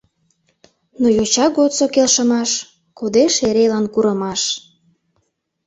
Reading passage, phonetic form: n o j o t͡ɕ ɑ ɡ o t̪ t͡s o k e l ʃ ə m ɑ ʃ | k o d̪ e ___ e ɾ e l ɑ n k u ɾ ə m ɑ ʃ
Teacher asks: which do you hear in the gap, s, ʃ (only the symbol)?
ʃ